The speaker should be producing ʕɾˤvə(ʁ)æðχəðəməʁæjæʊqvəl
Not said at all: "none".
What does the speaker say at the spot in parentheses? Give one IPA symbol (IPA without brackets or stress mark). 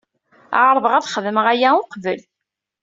ʁ